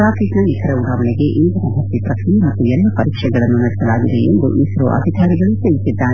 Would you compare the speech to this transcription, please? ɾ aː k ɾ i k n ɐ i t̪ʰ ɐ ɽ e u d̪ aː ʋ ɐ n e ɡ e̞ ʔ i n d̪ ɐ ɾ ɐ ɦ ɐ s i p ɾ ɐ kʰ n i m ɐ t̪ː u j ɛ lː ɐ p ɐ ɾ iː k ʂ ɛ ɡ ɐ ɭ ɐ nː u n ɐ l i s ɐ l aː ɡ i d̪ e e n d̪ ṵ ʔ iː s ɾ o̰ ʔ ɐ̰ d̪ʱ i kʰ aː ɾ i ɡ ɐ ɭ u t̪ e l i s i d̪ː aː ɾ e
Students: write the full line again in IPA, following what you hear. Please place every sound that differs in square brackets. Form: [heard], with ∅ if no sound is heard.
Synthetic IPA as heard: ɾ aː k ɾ i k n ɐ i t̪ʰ ɐ [ɾ] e u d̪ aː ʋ ɐ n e ɡ e̞ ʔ i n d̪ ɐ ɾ ɐ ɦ ɐ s i p ɾ ɐ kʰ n i m ɐ t̪ː u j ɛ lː ɐ p ɐ ɾ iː k ʂ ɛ ɡ ɐ ɭ ɐ nː u n ɐ [ɽ] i s ɐ l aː ɡ i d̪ e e n d̪ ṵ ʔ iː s ɾ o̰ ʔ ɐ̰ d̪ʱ i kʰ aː ɾ i ɡ ɐ ɭ u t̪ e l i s i d̪ː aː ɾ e